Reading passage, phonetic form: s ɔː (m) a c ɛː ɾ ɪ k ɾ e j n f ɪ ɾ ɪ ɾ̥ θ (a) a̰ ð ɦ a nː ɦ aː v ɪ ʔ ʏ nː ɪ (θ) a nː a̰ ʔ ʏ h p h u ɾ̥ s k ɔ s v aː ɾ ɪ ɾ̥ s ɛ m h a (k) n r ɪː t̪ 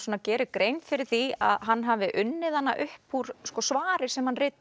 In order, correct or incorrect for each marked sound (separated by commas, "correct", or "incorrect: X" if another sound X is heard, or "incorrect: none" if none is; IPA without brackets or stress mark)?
incorrect: n, incorrect: i, incorrect: ð, incorrect: none